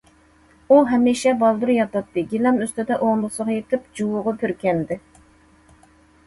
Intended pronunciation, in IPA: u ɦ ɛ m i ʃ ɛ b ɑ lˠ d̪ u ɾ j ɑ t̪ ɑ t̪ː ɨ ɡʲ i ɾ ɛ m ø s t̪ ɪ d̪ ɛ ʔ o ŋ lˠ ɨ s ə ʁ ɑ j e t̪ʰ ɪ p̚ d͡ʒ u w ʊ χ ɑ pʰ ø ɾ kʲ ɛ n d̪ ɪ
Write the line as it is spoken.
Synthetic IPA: u ɦ ɛ m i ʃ ɛ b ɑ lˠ d̪ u ɾ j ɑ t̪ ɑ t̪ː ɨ ɡʲ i l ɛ m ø s t̪ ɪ d̪ ɛ ʔ o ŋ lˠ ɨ s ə ʁ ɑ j e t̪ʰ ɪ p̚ d͡ʒ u w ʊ ʁ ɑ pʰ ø ɾ kʲ ɛ n d̪ ɪ